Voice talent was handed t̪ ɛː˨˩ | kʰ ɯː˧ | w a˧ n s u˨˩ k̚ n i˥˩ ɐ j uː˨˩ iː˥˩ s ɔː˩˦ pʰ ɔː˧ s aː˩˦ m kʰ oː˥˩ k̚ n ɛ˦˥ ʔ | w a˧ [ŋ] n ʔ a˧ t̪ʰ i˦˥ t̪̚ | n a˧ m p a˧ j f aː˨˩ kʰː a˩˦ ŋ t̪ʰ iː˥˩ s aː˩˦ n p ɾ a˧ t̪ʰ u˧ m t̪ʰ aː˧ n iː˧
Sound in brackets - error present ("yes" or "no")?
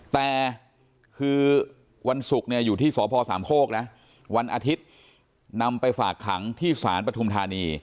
yes